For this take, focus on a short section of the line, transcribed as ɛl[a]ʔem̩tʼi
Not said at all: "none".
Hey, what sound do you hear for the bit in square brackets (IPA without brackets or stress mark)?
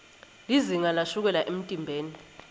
a